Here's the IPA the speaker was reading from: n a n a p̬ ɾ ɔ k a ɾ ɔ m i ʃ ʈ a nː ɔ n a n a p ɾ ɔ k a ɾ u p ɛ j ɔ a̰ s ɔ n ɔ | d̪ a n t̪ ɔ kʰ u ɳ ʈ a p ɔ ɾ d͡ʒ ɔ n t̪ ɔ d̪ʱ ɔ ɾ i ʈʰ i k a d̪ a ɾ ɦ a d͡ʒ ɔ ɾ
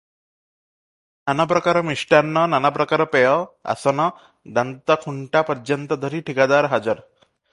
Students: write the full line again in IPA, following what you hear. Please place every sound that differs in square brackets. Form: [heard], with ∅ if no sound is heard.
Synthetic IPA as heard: n a n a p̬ ɾ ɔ k a ɾ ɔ m i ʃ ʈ a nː ɔ n a n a p ɾ ɔ k a ɾ [ɔ] p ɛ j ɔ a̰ s ɔ n ɔ | d̪ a n t̪ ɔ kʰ u ɳ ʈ a p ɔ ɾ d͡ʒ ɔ n t̪ ɔ d̪ʱ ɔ ɾ i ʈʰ i k a d̪ a ɾ ɦ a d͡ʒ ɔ ɾ